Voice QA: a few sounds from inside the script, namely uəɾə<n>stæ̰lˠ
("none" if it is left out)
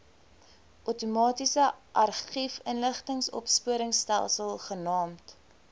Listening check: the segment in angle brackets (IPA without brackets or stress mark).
ŋ